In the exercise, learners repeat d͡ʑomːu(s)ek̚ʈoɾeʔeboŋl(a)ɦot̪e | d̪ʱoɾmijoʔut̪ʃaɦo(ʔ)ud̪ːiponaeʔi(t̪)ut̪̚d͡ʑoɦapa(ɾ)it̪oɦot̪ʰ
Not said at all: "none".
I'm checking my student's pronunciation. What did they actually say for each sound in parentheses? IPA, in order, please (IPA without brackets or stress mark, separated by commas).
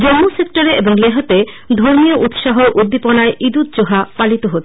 s, e, ʔ, d̪, l